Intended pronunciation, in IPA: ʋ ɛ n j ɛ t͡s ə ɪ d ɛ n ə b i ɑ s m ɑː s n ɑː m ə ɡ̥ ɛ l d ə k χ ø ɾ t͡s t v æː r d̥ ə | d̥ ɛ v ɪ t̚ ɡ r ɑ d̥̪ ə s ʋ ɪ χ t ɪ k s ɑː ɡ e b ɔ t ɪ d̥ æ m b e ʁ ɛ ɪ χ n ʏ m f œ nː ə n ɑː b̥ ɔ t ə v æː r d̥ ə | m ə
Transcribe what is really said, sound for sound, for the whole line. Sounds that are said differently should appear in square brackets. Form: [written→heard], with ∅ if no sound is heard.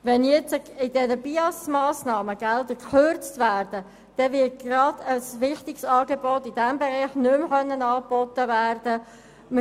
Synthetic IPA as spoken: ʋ ɛ n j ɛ t͡s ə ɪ d ɛ n ə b i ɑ s m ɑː s n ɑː m ə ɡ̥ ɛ l d ə k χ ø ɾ t͡s t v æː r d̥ ə | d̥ ɛ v ɪ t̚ ɡ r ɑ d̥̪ ə s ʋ ɪ χ t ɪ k s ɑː ɡ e b ɔ t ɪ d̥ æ m b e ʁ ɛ ɪ χ n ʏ m [f→χ] œ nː ə n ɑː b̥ ɔ t ə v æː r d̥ ə | m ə

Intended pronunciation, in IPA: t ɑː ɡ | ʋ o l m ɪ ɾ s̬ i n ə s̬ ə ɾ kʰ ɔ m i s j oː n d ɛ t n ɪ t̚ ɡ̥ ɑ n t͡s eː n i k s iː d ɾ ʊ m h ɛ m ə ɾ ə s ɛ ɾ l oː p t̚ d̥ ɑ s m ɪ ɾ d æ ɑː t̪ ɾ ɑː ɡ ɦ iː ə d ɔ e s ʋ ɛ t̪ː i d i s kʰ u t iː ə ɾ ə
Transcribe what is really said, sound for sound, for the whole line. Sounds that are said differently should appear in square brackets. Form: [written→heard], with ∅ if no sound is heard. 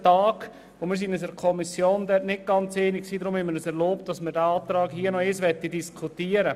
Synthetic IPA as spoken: t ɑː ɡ | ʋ o [l→∅] m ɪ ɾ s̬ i n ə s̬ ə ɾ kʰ ɔ m i s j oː n d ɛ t n ɪ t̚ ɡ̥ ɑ n t͡s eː n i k s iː d ɾ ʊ m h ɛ m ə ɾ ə s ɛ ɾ l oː p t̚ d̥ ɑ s m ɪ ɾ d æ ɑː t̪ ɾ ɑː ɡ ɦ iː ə [d→n] ɔ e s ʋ ɛ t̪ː i d i s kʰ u t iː ə ɾ ə

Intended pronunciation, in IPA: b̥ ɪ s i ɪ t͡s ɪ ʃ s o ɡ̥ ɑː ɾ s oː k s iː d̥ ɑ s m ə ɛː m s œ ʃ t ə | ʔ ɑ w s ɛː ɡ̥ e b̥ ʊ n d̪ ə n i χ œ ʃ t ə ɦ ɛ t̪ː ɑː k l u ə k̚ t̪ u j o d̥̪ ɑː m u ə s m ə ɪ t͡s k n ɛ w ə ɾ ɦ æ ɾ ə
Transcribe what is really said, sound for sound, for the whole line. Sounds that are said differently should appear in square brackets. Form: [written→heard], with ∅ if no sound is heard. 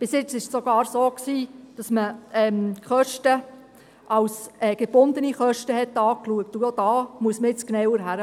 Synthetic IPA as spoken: b̥ ɪ s [i→j] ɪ t͡s ɪ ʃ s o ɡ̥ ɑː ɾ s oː k s iː d̥ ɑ s m ə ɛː m [s→χ] œ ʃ t ə | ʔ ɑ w s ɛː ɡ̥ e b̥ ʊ n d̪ ə n i χ œ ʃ t ə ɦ ɛ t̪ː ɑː k l u ə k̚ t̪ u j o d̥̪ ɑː m u ə s m ə ɪ t͡s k n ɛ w ə ɾ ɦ æ ɾ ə

